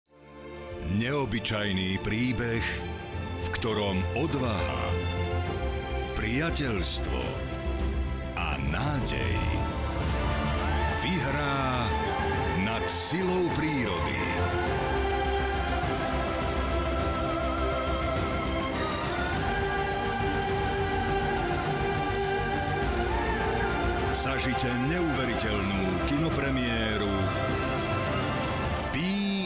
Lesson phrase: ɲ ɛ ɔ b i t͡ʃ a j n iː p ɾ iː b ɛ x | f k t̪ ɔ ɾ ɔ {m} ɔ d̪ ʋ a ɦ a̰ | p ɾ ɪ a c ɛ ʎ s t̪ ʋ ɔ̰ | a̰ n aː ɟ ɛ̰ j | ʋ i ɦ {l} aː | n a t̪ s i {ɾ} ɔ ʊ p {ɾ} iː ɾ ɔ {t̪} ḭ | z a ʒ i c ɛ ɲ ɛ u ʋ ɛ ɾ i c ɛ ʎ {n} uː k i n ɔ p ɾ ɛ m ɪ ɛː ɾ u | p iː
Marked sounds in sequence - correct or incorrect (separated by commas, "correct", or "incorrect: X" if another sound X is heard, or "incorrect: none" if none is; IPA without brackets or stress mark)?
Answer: correct, incorrect: ɾ, incorrect: l, correct, incorrect: d̪, correct